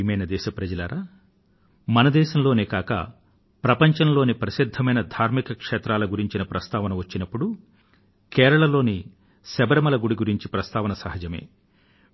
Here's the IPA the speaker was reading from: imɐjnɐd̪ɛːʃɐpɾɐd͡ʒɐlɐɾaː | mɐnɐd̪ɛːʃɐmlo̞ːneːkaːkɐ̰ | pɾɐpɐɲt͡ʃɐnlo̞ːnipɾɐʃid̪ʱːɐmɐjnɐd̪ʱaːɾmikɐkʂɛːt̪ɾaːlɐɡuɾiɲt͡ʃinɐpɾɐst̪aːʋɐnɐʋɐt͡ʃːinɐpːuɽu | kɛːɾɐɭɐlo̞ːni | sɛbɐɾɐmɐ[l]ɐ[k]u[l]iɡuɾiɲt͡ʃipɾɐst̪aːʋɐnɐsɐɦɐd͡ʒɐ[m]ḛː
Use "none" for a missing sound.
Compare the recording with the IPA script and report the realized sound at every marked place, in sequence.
l, ɡ, ɽ, m

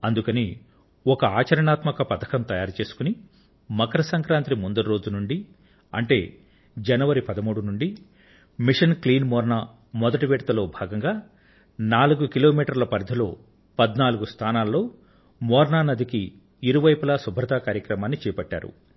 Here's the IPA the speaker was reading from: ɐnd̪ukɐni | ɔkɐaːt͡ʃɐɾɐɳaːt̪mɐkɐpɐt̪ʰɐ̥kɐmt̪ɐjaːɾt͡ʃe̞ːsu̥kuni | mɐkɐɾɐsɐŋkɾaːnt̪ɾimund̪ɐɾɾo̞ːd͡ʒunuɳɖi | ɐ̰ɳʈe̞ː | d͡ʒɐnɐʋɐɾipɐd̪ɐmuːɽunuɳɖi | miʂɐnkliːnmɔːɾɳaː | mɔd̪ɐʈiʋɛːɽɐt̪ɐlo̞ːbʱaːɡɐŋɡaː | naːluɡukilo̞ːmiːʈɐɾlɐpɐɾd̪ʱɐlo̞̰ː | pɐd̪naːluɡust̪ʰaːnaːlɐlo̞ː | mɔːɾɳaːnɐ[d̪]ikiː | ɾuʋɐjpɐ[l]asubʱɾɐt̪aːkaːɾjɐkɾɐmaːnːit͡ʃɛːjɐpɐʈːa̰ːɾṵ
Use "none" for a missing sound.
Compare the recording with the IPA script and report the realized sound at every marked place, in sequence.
d̪, l

